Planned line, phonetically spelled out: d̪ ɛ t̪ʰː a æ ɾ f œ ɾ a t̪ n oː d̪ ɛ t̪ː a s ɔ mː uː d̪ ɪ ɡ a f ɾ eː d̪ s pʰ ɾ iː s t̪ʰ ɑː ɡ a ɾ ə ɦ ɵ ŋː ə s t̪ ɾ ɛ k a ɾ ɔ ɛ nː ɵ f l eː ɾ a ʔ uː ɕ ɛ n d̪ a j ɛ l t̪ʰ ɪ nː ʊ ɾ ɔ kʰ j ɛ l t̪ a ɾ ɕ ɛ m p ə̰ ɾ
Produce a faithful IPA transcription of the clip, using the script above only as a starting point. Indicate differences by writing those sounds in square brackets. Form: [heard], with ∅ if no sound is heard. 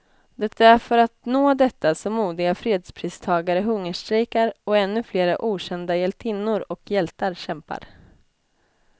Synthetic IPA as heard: d̪ ɛ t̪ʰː a æ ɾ f œ ɾ a t̪ n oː d̪ ɛ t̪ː a s ɔ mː uː d̪ ɪ ɡ a f ɾ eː d̪ s pʰ ɾ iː s t̪ʰ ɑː ɡ a ɾ ə ɦ ɵ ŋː ə [ʂ] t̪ ɾ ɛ k a ɾ ɔ ɛ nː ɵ f l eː ɾ a ʔ uː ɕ ɛ n d̪ a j ɛ l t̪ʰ ɪ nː ʊ ɾ ɔ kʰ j ɛ l t̪ a ɾ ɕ ɛ m p [a̰] ɾ